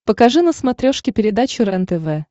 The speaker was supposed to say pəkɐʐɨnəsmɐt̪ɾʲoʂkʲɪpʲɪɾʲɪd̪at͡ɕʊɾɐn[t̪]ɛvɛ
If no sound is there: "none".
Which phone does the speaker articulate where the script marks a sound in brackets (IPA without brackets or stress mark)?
t̪